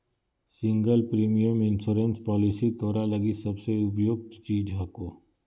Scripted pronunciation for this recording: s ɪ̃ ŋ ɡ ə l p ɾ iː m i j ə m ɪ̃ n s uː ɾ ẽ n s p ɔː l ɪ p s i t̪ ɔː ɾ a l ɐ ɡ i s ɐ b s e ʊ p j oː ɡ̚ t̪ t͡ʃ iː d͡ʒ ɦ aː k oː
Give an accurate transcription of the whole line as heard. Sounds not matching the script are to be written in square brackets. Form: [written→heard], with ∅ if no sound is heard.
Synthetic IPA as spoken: s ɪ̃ ŋ ɡ ə l p ɾ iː m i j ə m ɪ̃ n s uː ɾ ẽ n s p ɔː l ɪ [p→∅] s i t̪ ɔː ɾ a l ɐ ɡ i s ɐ b s e ʊ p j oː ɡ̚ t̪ t͡ʃ iː d͡ʒ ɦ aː k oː